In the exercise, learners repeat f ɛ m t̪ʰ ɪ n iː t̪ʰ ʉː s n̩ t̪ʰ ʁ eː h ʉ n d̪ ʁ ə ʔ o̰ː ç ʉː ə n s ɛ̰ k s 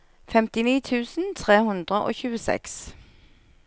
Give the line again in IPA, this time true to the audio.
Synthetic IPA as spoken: f ɛ m t̪ ɪ n iː t̪ʰ ʉː s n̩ t̪ʰ ʁ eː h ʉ n d̪ ʁ ə ʔ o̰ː ç ʉː ə s ɛ̰ k s